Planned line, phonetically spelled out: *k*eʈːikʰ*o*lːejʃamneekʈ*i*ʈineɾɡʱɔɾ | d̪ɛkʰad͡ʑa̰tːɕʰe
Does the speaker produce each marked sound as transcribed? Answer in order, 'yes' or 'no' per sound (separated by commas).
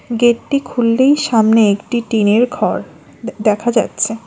no, no, yes